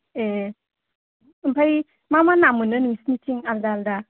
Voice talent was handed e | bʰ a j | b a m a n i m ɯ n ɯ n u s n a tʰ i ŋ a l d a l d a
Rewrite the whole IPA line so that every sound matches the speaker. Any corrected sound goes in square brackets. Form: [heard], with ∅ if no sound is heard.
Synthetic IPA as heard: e | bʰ a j | [m] a m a n [a] m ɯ n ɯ n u s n [i] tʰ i ŋ a l d a l d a